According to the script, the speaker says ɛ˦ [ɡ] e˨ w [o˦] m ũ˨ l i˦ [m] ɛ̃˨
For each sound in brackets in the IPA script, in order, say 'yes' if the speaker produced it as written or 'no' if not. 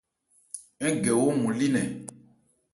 yes, yes, no

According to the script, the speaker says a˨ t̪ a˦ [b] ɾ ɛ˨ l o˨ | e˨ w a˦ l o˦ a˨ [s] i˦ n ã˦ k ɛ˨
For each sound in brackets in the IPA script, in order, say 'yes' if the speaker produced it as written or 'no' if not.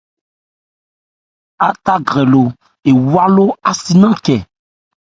no, yes

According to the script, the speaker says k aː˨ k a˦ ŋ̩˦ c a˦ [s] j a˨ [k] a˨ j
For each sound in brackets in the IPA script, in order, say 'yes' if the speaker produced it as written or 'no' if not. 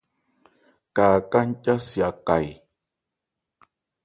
yes, yes

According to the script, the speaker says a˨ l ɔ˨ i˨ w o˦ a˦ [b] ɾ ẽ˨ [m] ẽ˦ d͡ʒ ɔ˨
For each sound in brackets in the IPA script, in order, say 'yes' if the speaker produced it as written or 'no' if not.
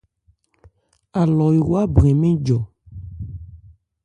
yes, yes

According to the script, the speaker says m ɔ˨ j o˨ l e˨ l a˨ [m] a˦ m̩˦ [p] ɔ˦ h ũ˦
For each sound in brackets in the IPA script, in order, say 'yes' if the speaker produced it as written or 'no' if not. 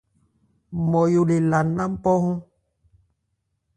no, yes

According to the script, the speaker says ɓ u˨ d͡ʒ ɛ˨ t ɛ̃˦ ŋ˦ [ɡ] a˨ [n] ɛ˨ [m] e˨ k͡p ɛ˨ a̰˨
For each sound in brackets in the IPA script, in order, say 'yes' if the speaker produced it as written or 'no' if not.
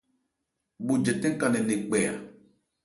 no, yes, no

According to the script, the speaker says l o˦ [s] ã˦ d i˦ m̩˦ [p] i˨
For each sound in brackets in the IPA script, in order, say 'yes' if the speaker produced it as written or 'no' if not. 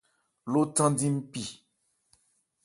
no, yes

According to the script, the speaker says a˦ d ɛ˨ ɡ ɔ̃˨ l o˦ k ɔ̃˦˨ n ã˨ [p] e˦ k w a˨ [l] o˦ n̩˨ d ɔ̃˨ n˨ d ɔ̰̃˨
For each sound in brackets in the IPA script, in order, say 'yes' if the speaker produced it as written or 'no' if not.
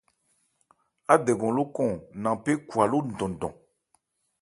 yes, yes

